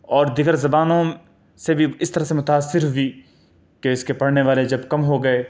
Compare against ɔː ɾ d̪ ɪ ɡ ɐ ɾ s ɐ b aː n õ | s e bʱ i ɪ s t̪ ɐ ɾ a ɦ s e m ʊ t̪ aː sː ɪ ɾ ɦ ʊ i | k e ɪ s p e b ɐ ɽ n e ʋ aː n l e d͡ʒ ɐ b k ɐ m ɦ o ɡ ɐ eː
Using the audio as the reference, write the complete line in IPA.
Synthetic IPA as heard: ɔː ɾ d̪ ɪ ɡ ə ɾ z ɐ b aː n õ | s e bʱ i ɪ s t̪ ɐ ɾ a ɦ s e m ʊ t̪ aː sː ɪ ɾ ɦ ʊ i | k e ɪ s k e p ɐ ɽ n e ʋ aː l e d͡ʒ ɐ b k ɐ m ɦ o ɡ ɐ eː

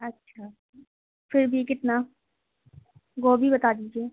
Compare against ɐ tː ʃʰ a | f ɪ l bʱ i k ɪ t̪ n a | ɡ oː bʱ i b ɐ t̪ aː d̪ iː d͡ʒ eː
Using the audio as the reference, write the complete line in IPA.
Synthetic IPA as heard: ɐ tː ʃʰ a | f ɪ ɾ bʱ i k ɪ t̪ n a | ɡ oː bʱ i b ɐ t̪ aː d̪ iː d͡ʒ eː

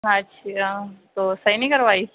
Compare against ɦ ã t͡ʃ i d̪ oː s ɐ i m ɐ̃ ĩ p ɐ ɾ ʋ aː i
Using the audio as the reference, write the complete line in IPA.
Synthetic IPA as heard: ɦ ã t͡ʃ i t̪ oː s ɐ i n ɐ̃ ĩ k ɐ ɾ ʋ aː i

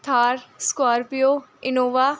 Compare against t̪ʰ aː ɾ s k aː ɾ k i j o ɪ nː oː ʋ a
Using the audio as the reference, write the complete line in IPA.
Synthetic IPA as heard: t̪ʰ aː ɾ s k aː ɾ p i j o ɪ n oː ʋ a

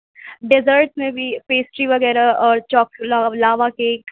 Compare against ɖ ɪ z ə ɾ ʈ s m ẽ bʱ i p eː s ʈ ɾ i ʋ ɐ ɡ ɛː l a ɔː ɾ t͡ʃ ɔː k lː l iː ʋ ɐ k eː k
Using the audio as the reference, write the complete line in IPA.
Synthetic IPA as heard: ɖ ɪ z ə ɾ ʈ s m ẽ bʱ i p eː s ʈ ɾ i ʋ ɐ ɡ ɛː ɾ a ɔː ɾ t͡ʃ ɔː k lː l aː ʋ a k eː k

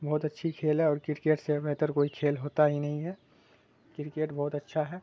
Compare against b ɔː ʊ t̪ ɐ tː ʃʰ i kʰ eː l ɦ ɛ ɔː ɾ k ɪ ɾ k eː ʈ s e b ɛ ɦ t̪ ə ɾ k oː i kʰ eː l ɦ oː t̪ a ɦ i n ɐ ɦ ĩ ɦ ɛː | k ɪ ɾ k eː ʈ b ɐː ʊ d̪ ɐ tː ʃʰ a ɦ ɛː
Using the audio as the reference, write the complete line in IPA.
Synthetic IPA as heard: b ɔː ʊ t̪ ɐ tː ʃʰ i kʰ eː l ɦ ɛ ɔː ɾ k ɪ ɾ k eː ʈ s e b ɛ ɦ t̪ ə ɾ k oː i kʰ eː l ɦ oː t̪ a ɦ i n ɐ ɦ ĩ ɦ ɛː | k ɪ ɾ k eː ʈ b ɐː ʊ t̪ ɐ tː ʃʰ a ɦ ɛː

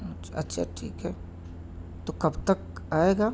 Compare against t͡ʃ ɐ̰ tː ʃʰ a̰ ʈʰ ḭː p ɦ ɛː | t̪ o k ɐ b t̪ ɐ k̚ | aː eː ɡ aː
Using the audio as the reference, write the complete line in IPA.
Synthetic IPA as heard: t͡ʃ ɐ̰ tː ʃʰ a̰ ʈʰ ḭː k ɦ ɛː | t̪ o k ɐ b t̪ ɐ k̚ | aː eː ɡ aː

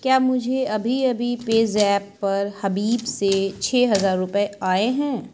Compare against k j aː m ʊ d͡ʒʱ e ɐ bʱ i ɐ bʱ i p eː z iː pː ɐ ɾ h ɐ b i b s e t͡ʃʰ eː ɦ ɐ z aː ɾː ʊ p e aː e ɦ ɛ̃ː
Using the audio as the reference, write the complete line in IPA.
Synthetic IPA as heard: k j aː m ʊ d͡ʒʱ e ɐ bʱ i ɐ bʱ i p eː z ɛː pː ɐ ɾ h ɐ b iː b s e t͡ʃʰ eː ɦ ɐ z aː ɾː ʊ p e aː e ɦ ɛ̃ː

